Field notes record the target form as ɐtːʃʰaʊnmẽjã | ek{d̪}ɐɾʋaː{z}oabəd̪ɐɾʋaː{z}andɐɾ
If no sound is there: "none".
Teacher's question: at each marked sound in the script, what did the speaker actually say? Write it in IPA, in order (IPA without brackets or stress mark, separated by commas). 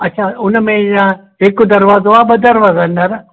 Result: d̪, z, z